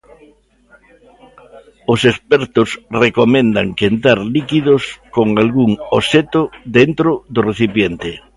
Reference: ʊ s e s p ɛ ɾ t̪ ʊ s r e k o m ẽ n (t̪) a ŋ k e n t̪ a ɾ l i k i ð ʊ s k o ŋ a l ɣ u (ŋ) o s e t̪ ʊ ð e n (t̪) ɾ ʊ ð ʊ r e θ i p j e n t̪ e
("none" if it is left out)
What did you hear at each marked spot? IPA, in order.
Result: d̪, ŋ, t̪

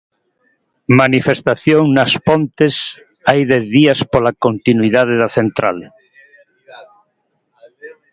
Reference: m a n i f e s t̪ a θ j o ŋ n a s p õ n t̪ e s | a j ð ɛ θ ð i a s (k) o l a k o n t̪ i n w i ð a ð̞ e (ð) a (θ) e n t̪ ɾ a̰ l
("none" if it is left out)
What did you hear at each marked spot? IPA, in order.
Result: p, ð, θ

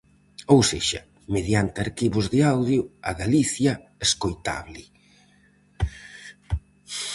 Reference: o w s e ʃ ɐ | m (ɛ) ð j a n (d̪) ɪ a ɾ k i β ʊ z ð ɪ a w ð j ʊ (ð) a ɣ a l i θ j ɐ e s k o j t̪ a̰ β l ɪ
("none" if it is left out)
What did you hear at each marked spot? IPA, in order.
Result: e, t̪, none

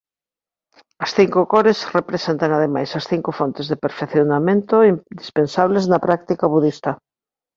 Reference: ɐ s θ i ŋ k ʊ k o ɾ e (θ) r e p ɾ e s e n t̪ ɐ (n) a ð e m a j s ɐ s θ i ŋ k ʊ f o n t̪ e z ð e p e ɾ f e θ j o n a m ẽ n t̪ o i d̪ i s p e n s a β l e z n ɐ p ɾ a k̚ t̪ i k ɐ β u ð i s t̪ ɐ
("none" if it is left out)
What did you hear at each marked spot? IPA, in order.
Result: s, ŋ

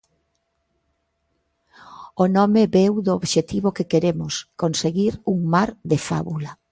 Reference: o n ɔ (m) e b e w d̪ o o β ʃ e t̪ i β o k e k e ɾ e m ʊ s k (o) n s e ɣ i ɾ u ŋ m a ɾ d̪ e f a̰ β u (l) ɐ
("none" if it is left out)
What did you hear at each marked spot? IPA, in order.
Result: m, o, l

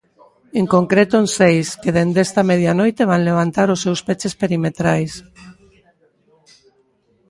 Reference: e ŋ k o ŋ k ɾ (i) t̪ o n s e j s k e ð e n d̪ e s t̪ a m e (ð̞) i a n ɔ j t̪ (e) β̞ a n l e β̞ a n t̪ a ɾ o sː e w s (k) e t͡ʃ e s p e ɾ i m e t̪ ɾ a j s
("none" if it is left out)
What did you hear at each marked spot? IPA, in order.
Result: e, ð̞, e, p

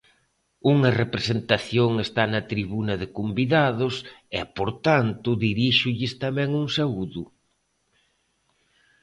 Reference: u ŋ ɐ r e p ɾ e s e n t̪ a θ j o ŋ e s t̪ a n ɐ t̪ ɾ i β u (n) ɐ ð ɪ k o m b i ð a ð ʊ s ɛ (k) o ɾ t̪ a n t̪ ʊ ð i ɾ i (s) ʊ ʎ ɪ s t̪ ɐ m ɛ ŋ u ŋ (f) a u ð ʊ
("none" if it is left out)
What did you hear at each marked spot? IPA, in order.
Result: n, p, ʃ, s

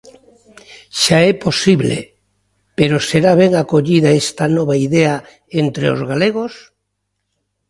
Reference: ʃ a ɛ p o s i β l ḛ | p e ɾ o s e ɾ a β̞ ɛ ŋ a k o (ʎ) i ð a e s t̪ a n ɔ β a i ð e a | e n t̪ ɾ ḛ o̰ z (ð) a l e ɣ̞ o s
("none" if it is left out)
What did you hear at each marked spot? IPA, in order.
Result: ʎ, ɣ

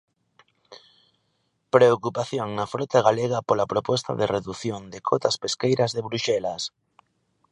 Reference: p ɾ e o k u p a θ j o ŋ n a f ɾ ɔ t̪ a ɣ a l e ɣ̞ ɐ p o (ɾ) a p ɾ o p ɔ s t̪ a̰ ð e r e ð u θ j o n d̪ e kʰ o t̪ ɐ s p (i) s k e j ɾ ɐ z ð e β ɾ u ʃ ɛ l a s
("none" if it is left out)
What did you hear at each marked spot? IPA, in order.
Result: l, e

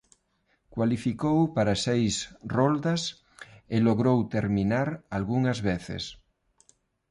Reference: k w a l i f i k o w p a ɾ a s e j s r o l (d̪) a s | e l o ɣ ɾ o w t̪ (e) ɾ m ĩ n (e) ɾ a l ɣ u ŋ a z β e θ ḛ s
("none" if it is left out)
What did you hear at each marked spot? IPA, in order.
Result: d̪, e, a

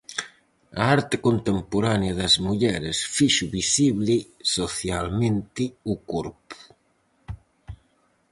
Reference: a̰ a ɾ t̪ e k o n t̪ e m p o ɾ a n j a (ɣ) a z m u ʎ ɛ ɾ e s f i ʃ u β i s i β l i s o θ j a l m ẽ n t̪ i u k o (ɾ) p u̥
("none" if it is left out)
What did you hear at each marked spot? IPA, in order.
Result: ð, ɾ

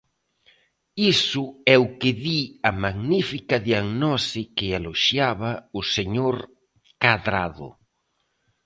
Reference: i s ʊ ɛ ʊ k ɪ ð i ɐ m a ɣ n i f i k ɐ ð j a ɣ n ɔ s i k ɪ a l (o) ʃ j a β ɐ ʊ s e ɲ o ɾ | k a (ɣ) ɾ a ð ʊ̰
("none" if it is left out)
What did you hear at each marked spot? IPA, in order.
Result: o, ð

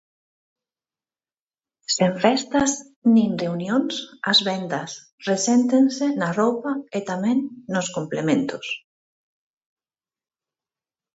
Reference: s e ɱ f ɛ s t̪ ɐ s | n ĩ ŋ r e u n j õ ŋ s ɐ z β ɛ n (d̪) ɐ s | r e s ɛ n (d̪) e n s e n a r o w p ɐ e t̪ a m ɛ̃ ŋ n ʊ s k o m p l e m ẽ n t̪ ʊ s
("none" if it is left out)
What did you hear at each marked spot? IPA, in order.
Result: d̪, t̪

